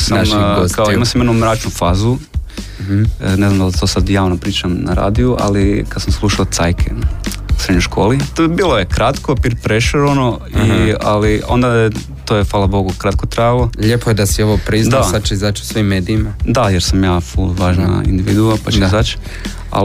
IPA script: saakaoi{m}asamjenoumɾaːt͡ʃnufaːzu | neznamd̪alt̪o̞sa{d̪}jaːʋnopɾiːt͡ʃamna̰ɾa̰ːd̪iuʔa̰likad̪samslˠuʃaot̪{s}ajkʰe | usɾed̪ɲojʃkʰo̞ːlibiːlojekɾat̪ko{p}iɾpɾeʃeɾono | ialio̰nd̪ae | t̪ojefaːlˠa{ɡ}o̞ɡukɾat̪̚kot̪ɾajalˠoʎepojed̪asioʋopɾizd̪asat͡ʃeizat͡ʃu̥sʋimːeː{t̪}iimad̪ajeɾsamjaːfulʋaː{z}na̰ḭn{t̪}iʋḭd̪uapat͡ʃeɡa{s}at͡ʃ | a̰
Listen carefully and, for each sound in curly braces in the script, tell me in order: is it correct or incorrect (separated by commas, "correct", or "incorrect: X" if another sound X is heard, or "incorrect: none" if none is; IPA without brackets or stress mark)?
correct, correct, correct, correct, incorrect: b, incorrect: d̪, incorrect: ʒ, incorrect: d̪, incorrect: z